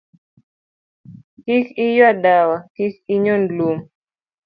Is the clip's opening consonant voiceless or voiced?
voiceless